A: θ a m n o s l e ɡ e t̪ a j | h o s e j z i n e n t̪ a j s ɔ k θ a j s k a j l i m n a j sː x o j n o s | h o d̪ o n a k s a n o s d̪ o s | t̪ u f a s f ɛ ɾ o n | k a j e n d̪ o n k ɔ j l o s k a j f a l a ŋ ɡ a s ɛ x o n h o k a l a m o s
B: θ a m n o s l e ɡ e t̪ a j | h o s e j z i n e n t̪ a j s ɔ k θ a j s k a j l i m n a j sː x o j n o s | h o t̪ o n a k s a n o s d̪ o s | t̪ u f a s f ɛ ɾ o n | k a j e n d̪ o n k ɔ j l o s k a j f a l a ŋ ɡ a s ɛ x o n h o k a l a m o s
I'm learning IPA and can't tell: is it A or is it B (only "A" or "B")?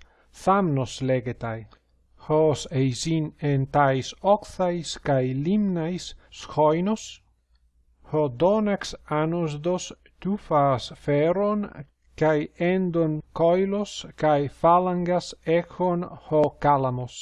A